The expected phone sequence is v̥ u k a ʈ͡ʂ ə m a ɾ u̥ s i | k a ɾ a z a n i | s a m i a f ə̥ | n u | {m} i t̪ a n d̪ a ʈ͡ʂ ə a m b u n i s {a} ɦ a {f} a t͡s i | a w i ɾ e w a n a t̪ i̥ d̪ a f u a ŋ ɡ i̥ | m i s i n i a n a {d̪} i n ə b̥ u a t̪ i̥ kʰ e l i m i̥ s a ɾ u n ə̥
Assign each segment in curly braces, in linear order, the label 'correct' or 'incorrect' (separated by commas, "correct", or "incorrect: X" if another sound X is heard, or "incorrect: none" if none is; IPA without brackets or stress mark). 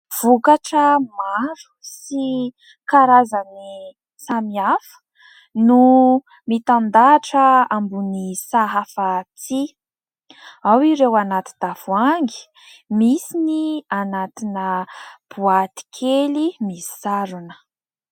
correct, correct, correct, incorrect: t̪